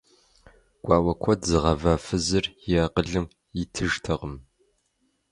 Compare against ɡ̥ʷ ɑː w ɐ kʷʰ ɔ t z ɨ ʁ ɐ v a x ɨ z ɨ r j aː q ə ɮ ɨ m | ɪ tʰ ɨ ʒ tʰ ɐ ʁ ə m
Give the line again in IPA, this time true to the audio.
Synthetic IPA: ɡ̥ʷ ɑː w ɐ kʷʰ ɔ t z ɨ ʁ ɐ v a f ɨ z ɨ r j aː q ə ɮ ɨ m | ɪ tʰ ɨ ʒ tʰ ɐ ʁ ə m